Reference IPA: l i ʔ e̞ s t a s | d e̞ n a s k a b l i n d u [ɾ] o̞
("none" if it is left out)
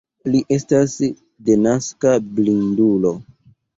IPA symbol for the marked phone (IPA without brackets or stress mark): l